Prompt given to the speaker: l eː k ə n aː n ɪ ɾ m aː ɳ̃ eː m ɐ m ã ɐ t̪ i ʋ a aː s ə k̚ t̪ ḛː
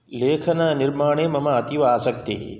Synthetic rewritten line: l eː kʰ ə n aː n ɪ ɾ m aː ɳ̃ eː m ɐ m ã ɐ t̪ i ʋ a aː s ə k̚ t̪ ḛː